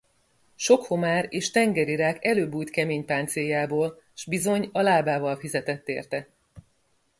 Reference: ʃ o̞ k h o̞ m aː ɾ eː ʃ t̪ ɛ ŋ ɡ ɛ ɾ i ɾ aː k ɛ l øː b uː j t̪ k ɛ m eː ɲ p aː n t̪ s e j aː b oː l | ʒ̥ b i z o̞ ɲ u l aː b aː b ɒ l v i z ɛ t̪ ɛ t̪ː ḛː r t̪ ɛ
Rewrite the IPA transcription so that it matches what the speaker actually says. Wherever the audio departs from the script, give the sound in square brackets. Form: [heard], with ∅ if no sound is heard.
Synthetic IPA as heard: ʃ o̞ k h o̞ m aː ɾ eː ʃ t̪ ɛ ŋ ɡ ɛ ɾ i ɾ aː k ɛ l øː b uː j t̪ k ɛ m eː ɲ p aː n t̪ s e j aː b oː l | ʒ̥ b i z o̞ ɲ [ɒ] l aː b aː [v] ɒ l [f] i z ɛ t̪ ɛ t̪ː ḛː r t̪ ɛ

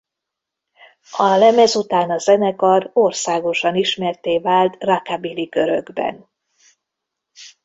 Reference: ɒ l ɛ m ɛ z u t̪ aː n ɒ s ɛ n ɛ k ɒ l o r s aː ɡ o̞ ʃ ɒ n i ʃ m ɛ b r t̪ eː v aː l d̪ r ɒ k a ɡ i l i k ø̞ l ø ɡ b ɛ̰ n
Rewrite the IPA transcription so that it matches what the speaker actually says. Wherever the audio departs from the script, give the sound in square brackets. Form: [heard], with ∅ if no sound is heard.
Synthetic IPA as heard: ɒ l ɛ m ɛ z u t̪ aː n ɒ [z] ɛ n ɛ k ɒ [r] o r s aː ɡ o̞ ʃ ɒ n i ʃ m ɛ [∅] r t̪ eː v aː l [t̪] r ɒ k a [b] i l i k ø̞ [ɾ] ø ɡ b ɛ̰ n

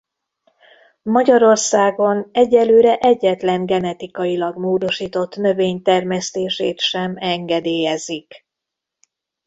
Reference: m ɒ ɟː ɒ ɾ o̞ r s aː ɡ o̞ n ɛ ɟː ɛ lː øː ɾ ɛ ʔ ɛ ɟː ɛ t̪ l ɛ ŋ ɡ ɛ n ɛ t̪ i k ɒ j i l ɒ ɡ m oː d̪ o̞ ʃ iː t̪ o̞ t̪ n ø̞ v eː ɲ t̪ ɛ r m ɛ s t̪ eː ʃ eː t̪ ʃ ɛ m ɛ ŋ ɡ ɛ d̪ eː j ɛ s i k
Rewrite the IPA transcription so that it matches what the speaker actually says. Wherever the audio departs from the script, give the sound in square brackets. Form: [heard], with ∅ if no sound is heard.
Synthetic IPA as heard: m ɒ [ɟ] ɒ ɾ o̞ r s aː ɡ o̞ n ɛ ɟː ɛ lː øː ɾ ɛ ʔ ɛ ɟː ɛ t̪ l ɛ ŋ ɡ ɛ n ɛ t̪ i k ɒ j i l ɒ ɡ m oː d̪ o̞ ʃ iː t̪ o̞ t̪ n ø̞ v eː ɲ t̪ ɛ r m ɛ s t̪ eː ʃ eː t̪ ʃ ɛ m ɛ ŋ ɡ ɛ d̪ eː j ɛ [z] i k

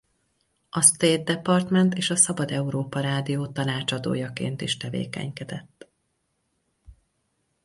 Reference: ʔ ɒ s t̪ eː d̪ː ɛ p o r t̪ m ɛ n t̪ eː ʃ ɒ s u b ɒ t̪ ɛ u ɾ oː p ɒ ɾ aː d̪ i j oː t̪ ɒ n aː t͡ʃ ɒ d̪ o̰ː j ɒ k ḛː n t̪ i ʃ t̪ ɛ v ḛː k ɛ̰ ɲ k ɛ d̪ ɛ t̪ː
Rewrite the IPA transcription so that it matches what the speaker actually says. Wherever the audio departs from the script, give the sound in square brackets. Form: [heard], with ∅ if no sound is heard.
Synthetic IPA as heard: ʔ ɒ s t̪ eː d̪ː ɛ p [ɒ] r t̪ m ɛ n t̪ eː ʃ ɒ s [ɒ] b ɒ [d̪] ɛ u ɾ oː p ɒ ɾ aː d̪ i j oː t̪ ɒ n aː t͡ʃ ɒ d̪ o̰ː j ɒ k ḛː n t̪ i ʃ t̪ ɛ v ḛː k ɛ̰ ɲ k ɛ d̪ ɛ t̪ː

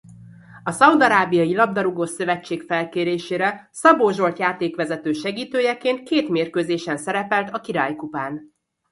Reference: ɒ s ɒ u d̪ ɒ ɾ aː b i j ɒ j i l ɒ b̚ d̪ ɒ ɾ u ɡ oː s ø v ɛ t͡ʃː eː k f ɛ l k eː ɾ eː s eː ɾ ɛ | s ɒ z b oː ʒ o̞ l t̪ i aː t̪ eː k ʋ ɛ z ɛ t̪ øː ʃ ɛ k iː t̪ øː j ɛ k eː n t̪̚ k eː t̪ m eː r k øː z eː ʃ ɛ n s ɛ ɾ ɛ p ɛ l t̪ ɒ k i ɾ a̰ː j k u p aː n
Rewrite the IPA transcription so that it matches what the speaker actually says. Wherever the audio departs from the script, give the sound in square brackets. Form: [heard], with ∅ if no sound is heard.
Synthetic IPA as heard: ɒ s ɒ u d̪ ɒ ɾ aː b i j ɒ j i l ɒ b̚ d̪ ɒ ɾ u ɡ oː s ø v ɛ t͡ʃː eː k f ɛ l k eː ɾ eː [ʃ] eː ɾ ɛ | s ɒ [∅] b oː ʒ o̞ l t̪ [j] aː t̪ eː k ʋ ɛ z ɛ t̪ øː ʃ ɛ [ɡ] iː t̪ øː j ɛ k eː n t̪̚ k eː t̪ m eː r k øː z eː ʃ ɛ n s ɛ ɾ ɛ p ɛ l t̪ ɒ k i ɾ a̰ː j k u p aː n

